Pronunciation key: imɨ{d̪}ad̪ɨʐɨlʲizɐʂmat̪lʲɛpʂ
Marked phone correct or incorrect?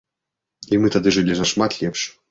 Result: incorrect